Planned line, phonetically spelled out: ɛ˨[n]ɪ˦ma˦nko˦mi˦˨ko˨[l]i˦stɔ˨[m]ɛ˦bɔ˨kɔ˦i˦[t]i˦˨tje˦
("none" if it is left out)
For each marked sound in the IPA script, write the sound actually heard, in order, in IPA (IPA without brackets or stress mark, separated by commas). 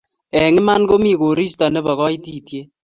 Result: ŋ, ɾ, n, t